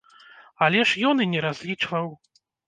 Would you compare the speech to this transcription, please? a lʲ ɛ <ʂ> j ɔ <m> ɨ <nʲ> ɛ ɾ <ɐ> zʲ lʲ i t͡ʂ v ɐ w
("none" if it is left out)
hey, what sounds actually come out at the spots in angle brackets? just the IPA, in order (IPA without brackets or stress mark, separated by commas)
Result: ʂ, n, nʲ, a